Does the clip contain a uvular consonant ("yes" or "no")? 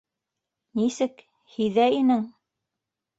no